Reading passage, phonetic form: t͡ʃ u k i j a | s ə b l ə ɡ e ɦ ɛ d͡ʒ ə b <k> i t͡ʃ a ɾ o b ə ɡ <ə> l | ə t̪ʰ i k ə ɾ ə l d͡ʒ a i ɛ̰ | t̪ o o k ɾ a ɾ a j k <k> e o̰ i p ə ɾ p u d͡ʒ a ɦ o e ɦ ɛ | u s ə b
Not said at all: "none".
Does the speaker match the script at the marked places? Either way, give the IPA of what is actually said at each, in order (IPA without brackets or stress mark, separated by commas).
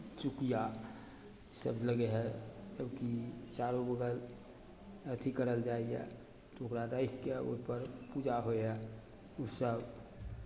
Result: k, ə, k